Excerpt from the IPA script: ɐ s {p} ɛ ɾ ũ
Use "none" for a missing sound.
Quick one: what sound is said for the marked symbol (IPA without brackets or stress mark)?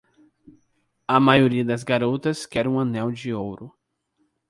k